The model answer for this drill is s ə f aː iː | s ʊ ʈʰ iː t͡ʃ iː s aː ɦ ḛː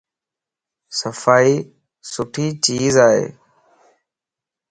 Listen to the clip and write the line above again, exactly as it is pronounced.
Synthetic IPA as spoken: s ə f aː iː | s ʊ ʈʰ iː t͡ʃ iː z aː ɦ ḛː